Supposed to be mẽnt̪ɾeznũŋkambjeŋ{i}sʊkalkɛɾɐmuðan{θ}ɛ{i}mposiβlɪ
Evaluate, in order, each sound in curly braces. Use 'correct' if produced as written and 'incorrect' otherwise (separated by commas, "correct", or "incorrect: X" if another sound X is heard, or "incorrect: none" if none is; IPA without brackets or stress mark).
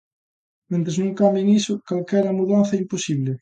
correct, correct, correct